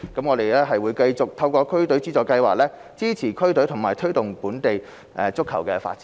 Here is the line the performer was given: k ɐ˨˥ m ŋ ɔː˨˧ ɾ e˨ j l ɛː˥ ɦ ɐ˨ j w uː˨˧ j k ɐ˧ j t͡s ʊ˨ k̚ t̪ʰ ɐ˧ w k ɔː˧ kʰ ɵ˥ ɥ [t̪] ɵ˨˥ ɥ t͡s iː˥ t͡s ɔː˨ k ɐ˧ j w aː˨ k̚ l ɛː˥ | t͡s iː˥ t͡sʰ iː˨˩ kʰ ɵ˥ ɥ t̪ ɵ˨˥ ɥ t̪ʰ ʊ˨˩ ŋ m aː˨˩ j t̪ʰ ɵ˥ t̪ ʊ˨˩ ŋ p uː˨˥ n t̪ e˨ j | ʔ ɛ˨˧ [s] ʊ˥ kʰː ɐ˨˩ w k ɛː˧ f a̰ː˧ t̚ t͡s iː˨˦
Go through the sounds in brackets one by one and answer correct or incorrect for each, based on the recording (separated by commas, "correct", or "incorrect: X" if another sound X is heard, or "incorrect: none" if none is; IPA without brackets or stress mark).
correct, incorrect: t͡s